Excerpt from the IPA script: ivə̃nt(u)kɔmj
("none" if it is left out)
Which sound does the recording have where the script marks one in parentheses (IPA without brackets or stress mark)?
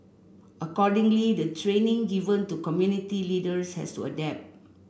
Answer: u